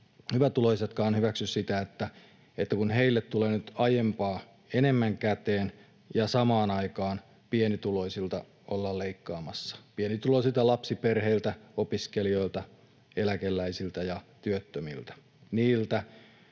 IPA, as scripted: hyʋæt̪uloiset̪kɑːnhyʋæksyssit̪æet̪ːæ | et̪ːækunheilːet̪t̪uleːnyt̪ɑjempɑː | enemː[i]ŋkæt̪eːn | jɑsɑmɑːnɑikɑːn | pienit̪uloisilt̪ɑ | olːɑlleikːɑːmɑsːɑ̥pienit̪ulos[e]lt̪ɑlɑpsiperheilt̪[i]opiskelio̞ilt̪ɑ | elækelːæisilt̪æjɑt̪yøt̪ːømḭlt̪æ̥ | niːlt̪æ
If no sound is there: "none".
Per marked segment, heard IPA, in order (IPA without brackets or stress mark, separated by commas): æ, i, æ